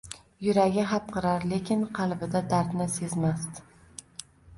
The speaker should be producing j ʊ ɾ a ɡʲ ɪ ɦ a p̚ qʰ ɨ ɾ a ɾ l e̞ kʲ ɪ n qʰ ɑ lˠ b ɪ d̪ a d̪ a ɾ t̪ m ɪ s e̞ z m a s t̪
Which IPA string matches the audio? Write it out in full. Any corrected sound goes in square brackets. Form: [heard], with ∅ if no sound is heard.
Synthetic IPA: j ʊ ɾ a ɡʲ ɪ ɦ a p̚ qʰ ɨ ɾ a ɾ l e̞ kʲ ɪ n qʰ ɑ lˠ b ɪ d̪ a d̪ a ɾ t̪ [n] ɪ s e̞ z m a s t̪